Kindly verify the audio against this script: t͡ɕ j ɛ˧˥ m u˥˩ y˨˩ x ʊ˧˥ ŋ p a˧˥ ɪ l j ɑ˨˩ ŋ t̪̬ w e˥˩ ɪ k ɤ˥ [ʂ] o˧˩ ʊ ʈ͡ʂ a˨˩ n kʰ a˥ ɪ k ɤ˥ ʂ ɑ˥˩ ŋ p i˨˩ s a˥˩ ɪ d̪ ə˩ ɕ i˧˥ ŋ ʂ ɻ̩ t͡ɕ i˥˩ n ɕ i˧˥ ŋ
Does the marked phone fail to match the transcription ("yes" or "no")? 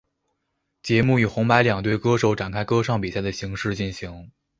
no